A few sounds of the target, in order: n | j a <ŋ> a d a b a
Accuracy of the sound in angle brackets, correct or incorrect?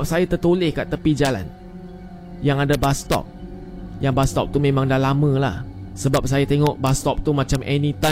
correct